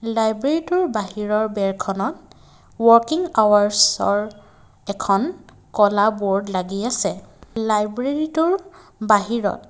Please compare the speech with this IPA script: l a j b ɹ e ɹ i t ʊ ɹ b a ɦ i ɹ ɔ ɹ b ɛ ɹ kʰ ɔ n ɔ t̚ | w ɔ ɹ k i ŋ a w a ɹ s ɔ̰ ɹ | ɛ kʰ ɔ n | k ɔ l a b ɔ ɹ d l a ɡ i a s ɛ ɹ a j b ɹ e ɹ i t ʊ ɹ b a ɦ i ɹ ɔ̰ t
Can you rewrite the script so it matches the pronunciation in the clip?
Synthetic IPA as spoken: l a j b ɹ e ɹ i t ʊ ɹ b a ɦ i ɹ ɔ ɹ b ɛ ɹ kʰ ɔ n ɔ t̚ | w ɔ ɹ k i ŋ a w a ɹ s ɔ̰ ɹ | ɛ kʰ ɔ n | k ɔ l a b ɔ ɹ d l a ɡ i a s ɛ l a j b ɹ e ɹ i t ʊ ɹ b a ɦ i ɹ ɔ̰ t